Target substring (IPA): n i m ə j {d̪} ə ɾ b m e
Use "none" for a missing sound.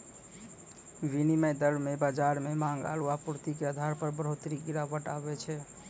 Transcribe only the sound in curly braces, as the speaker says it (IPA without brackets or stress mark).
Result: d̪